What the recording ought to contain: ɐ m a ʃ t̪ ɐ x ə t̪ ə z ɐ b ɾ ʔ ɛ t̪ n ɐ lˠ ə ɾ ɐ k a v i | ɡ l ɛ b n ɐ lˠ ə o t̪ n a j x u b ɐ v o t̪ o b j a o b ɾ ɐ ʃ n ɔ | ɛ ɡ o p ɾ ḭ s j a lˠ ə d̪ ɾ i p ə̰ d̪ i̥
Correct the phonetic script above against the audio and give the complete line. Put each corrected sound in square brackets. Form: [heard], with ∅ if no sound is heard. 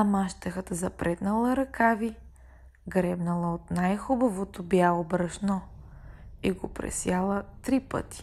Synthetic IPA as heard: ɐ m a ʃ t̪ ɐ x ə t̪ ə z ɐ [p] ɾ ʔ ɛ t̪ n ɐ lˠ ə ɾ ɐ k a v i | ɡ [ɾ] ɛ b n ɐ lˠ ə o t̪ n a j x u b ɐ v o t̪ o b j a o b ɾ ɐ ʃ n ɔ | [i] ɡ o p ɾ [ɛ̰] s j a lˠ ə [t̪] ɾ i p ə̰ [t̪] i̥